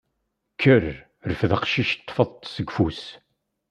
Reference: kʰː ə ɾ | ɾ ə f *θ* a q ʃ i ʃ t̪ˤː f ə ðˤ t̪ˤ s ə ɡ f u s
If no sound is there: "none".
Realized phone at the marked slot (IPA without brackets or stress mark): ð